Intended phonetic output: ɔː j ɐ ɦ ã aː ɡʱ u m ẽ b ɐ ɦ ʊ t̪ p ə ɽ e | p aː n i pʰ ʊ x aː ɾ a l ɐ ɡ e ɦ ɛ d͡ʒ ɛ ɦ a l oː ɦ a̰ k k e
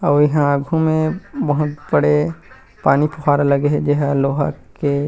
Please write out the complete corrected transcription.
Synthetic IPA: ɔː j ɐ ɦ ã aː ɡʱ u m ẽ b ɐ ɦ ʊ t̪ b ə ɽ e | p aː n i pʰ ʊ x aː ɾ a l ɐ ɡ e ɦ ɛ d͡ʒ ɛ ɦ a l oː ɦ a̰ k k e